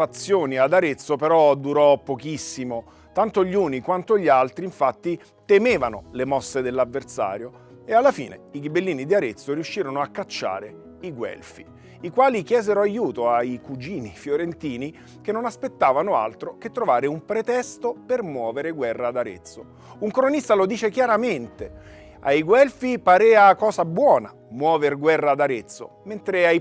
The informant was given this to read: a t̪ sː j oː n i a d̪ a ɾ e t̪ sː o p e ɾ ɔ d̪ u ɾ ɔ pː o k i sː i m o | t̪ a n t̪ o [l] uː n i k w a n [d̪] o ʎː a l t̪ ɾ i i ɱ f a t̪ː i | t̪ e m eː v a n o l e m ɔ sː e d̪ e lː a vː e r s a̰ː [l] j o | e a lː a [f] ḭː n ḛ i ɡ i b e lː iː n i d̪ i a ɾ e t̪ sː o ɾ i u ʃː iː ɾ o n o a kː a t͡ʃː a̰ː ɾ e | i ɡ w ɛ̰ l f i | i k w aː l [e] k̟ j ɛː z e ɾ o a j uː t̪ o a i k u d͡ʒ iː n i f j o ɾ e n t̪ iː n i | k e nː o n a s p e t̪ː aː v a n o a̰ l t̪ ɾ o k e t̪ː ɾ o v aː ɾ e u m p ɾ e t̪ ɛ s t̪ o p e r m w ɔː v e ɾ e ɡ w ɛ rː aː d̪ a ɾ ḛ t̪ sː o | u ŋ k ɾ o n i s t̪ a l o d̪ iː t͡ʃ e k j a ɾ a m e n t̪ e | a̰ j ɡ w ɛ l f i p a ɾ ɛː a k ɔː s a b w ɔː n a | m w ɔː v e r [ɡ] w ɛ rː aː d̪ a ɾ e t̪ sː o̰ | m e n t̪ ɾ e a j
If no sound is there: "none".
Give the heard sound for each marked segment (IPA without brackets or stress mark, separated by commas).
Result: ʎ, t̪, ɾ, f, i, ɡ